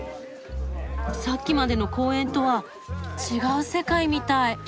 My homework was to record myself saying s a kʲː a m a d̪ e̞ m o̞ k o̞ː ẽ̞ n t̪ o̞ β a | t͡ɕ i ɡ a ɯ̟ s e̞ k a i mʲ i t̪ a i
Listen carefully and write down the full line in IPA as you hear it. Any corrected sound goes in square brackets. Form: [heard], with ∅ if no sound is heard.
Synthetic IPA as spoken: s a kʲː [i] m a d̪ e̞ [n] o̞ k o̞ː ẽ̞ n t̪ o̞ β a | t͡ɕ i ɡ a ɯ̟ s e̞ k a i mʲ i t̪ a i